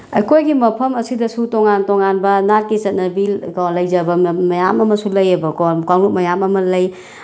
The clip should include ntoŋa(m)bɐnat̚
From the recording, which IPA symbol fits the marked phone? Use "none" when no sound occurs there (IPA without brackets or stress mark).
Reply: n